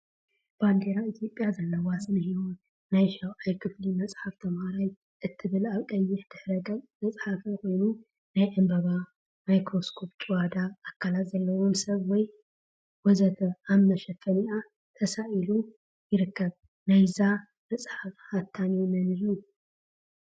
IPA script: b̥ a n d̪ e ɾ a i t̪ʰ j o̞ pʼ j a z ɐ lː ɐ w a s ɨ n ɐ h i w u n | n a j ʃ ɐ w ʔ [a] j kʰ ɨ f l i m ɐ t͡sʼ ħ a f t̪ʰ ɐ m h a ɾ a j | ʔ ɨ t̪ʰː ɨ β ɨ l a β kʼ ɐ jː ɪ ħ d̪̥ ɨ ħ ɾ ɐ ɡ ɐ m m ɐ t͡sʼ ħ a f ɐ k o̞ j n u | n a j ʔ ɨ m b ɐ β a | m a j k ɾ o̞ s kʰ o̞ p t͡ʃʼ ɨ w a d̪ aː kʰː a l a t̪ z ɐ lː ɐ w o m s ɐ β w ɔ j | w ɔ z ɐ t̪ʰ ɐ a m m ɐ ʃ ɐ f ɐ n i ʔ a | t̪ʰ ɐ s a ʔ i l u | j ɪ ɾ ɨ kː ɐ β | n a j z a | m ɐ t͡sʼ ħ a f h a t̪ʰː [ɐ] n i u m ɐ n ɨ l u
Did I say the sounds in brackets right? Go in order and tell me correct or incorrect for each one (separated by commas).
correct, incorrect